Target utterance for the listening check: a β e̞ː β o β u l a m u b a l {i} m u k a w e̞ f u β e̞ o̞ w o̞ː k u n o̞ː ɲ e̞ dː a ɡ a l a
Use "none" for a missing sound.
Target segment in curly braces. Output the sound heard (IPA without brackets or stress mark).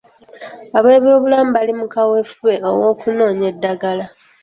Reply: i